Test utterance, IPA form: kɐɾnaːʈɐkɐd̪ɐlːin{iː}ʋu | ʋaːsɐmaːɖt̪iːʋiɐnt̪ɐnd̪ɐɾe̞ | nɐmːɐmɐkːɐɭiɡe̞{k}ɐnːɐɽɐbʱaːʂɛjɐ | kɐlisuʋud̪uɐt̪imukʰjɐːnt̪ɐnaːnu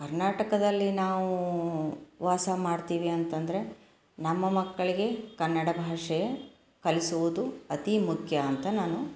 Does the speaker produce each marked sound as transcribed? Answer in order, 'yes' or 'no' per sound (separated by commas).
no, yes